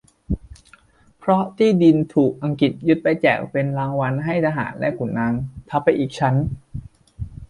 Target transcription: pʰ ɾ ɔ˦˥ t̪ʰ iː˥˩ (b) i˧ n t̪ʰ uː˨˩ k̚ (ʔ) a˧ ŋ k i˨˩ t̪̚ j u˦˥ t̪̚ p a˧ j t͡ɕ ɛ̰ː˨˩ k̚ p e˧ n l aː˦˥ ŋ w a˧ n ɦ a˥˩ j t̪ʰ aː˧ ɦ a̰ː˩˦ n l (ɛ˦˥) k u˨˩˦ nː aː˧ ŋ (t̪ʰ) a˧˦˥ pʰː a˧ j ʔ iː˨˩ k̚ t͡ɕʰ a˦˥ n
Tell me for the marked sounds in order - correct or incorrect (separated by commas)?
incorrect, correct, correct, correct